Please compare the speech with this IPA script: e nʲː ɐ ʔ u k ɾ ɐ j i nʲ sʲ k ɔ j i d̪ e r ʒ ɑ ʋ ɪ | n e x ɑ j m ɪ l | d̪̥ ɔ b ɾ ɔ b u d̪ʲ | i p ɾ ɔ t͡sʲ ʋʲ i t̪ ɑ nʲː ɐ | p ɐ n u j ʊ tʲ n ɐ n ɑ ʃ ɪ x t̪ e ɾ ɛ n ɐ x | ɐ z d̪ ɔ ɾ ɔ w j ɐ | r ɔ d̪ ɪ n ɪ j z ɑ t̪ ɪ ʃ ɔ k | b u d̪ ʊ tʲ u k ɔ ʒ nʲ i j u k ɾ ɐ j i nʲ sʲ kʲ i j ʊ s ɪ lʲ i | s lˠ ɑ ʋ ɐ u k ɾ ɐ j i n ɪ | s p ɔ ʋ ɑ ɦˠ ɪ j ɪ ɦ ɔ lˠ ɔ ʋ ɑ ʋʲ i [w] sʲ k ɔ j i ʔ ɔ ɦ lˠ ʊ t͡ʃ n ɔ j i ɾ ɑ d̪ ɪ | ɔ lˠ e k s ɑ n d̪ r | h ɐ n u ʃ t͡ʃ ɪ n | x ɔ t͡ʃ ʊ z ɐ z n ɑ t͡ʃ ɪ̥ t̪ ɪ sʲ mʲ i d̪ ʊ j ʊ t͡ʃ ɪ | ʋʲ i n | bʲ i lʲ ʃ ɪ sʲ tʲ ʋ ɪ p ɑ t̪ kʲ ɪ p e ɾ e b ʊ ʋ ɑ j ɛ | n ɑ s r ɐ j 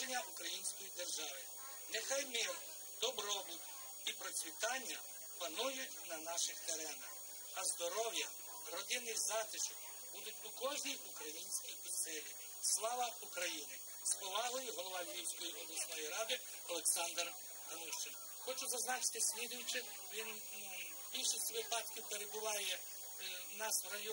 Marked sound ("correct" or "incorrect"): correct